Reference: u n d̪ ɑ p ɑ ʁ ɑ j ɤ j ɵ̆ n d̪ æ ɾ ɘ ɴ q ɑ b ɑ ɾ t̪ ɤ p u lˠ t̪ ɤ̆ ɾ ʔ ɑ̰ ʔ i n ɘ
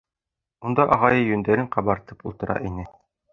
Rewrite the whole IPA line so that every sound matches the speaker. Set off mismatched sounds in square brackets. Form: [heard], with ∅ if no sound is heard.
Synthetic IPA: u n d̪ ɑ [ʔ] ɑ ʁ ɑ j ɤ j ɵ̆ n d̪ æ ɾ ɘ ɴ q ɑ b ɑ ɾ t̪ ɤ p u lˠ t̪ ɤ̆ ɾ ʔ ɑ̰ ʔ i n ɘ